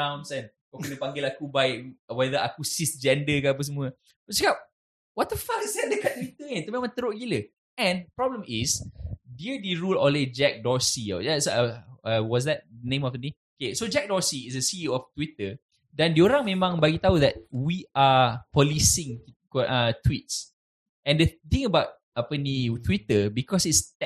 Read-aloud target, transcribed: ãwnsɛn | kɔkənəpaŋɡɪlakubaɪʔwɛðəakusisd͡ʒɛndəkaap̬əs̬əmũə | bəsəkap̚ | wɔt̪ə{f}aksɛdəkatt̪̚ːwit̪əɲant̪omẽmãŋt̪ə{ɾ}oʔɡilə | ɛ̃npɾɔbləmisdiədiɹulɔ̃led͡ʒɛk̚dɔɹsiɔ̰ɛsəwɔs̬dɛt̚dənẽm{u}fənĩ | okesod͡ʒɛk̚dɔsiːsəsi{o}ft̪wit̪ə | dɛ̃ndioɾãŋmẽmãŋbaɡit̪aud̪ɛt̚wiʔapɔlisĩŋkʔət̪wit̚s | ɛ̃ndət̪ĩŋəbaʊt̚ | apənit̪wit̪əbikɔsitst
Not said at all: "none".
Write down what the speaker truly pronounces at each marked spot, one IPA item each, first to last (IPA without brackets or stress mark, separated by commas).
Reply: f, ɾ, ɔ, ɔ